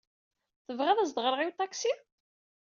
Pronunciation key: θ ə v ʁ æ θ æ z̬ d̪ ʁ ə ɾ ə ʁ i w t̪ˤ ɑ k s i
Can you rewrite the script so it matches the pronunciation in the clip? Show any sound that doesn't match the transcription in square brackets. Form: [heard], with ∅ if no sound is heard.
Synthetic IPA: θ ə v ʁ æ [ð] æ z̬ d̪ ʁ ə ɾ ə ʁ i w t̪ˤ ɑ k s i